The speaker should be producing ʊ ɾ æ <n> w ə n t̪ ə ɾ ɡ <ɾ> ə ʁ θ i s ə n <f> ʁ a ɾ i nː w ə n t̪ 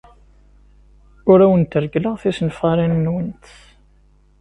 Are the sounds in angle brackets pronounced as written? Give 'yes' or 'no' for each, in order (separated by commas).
no, no, yes